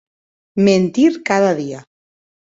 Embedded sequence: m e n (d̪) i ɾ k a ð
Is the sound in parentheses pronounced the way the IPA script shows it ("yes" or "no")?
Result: no